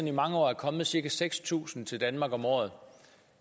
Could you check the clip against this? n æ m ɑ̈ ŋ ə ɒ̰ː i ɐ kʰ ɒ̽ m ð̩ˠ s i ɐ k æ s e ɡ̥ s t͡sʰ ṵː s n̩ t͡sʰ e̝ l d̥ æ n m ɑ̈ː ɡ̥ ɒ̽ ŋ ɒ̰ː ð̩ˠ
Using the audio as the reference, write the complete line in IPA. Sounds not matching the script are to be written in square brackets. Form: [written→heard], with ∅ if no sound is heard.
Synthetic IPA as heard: n [æ→i] m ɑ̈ ŋ ə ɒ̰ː [i→æ] ɐ kʰ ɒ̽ m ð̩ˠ s i ɐ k æ s e ɡ̥ s t͡sʰ ṵː s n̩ t͡sʰ e̝ l d̥ æ n m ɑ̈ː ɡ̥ ɒ̽ [ŋ→m] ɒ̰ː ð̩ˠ